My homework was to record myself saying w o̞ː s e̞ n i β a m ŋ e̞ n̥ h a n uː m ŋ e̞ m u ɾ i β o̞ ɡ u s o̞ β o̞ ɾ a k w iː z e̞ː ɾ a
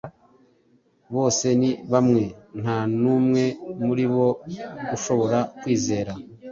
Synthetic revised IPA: β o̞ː s e̞ n i β a m ŋ e̞ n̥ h a n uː m ŋ e̞ m u ɾ i β o̞ ɡ u ʃ o̞ β o̞ ɾ a k w iː z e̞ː ɾ a